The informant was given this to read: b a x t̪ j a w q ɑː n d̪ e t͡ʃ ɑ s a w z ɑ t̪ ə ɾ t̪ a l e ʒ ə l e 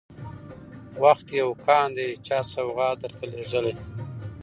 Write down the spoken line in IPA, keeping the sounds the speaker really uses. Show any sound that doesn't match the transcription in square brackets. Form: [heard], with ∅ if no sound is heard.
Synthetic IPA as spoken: [w] a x t̪ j a w [k] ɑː n d̪ e t͡ʃ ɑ s a w [ɣ] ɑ [d̪] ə ɾ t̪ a l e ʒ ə l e

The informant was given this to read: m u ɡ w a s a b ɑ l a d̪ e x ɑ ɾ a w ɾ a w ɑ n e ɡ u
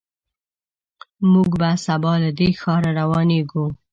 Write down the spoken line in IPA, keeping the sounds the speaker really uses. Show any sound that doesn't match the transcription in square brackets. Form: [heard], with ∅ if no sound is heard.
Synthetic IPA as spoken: m u ɡ [b] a s a b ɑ l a d̪ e x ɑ ɾ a [∅] ɾ a w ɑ n e ɡ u

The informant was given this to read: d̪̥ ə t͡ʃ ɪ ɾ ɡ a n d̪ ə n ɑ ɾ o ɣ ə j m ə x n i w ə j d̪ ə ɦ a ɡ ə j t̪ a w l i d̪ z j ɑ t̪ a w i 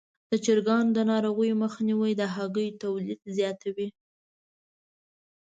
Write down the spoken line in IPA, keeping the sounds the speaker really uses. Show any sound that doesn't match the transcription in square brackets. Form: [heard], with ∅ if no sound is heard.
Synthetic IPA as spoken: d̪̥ ə t͡ʃ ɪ ɾ ɡ [ɑ] n d̪ ə n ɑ ɾ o ɣ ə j m ə x n i w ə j d̪ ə ɦ a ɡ ə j t̪ a w l i d̪ z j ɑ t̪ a w i

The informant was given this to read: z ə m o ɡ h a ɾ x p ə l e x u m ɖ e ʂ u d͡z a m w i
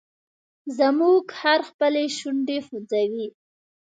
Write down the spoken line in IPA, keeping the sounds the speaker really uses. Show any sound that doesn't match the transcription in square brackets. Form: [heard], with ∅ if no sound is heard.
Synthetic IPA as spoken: z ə m [u] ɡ h a ɾ x p ə l e [ʃ] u [ɳ] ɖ e [x] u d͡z a [∅] w i

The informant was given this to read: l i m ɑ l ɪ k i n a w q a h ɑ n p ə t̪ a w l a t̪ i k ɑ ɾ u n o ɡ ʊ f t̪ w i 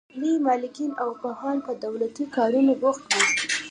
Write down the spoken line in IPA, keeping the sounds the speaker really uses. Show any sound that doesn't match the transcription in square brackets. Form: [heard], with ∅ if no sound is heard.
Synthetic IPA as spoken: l i m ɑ l ɪ k i n a w [p] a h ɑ n p ə [d̪] a w l a t̪ i k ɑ ɾ u n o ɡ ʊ [x] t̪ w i

